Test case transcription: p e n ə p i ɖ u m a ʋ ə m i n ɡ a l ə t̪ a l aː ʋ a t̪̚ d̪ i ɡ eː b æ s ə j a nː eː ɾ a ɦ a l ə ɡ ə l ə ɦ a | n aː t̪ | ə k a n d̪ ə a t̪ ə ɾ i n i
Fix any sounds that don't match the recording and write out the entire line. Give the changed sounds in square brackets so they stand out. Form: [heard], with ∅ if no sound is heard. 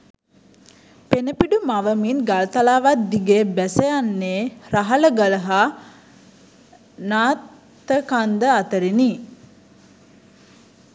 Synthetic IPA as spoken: p e n ə p i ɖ u m a ʋ ə m i n ɡ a l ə t̪ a l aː ʋ a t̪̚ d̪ i ɡ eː b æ s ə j a nː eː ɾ a ɦ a l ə ɡ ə l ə ɦ a | n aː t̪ | ə k a n d̪ ə a t̪ ə ɾ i n i